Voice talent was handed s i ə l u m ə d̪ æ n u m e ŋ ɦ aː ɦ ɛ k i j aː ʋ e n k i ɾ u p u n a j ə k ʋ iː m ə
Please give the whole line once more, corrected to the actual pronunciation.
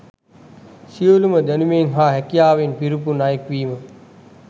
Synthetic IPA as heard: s i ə l u m ə d̪ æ n u m e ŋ ɦ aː ɦ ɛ k i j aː ʋ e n p i ɾ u p u n a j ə k ʋ iː m ə